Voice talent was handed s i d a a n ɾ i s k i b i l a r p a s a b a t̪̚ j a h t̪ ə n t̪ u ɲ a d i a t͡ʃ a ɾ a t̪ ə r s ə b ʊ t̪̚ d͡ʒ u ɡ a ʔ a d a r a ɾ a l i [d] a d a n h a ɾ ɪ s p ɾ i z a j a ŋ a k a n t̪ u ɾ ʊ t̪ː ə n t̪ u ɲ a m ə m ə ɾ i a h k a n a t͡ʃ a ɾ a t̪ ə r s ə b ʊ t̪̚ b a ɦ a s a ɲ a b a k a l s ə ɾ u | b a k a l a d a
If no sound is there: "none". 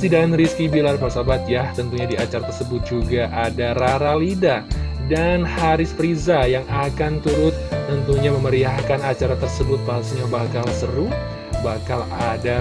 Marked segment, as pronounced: d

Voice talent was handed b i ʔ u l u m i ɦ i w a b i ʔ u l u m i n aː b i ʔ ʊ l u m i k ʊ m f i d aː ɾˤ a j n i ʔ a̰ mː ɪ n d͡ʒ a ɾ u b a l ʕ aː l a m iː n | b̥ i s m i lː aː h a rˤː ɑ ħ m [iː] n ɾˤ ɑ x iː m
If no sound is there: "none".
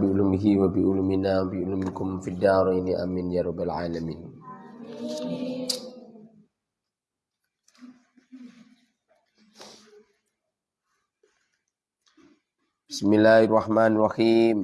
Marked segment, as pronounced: aː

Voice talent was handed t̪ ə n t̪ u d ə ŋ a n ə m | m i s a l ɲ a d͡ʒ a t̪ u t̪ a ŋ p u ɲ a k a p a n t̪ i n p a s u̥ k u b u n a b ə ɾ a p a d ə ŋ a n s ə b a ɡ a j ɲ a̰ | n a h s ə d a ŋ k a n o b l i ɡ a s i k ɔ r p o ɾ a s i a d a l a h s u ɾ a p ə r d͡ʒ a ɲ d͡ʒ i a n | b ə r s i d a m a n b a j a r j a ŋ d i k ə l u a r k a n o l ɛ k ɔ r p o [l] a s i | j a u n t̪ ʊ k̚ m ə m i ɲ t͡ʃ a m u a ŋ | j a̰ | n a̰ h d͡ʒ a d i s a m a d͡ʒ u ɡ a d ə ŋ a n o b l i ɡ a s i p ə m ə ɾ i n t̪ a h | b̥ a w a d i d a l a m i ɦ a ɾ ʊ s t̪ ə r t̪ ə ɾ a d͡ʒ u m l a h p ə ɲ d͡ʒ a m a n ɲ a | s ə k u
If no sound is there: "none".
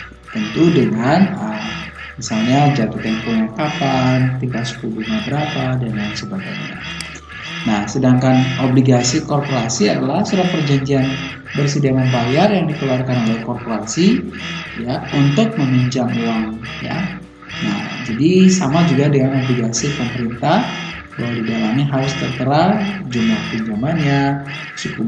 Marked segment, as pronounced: ɾ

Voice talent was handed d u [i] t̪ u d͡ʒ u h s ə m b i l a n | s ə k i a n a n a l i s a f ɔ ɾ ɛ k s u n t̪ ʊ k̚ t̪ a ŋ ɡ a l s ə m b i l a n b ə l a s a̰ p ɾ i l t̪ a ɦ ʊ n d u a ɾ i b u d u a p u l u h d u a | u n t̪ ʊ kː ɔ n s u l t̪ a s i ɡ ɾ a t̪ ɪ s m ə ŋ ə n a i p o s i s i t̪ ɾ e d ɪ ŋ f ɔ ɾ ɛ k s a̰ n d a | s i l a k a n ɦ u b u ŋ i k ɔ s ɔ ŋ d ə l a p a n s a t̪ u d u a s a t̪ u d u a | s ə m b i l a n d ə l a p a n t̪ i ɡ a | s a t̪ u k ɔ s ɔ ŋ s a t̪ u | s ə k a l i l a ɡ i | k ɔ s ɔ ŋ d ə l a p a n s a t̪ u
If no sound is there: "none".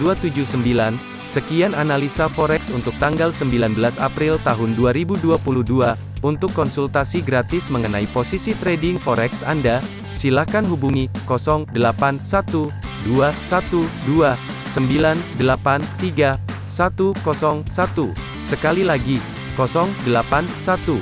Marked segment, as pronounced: a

